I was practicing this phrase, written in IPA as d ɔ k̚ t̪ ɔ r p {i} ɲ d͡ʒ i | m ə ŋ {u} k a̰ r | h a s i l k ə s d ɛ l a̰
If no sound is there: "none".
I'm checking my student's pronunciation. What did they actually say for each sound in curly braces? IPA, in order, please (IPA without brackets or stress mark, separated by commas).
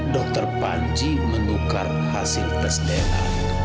a, u